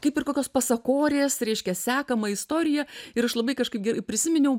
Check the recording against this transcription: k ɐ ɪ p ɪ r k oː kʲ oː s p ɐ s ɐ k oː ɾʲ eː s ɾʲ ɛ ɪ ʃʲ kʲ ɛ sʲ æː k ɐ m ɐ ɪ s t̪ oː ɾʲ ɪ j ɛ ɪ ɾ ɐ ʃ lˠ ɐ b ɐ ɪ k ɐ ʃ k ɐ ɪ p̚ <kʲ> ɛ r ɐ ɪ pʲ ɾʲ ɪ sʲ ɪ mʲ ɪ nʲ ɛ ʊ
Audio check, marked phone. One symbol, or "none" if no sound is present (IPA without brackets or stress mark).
ɡʲ